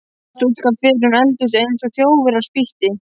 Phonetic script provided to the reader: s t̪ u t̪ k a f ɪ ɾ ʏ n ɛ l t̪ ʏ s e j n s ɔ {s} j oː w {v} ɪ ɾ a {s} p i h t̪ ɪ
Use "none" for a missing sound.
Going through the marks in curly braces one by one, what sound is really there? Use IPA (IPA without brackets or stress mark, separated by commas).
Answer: θ, v, s